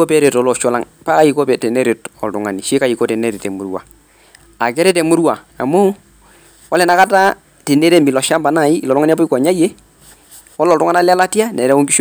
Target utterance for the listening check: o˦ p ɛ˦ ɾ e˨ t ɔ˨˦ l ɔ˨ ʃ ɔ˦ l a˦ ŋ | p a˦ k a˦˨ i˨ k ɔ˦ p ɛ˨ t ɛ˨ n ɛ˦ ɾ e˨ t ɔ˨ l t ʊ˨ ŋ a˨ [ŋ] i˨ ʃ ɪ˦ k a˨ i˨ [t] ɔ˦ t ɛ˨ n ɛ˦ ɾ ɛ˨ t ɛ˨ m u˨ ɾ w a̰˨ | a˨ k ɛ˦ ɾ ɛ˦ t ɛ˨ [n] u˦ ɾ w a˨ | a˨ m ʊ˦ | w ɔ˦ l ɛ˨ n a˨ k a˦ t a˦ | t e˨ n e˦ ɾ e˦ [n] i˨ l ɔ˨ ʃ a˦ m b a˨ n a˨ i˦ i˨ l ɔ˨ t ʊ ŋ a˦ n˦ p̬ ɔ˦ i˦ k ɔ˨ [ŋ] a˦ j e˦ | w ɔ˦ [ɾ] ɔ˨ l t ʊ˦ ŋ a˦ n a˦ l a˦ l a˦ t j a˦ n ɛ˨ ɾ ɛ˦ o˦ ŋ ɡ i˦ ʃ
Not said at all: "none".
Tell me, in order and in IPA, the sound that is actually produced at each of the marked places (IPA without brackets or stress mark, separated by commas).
n, k, m, m, ɲ, l